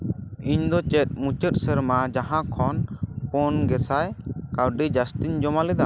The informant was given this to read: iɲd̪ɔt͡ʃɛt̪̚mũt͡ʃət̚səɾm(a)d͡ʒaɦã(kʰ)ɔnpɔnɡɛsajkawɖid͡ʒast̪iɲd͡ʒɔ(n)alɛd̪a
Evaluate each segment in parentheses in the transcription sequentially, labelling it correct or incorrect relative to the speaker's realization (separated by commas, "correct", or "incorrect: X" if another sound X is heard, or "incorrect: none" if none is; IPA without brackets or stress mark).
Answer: correct, correct, incorrect: m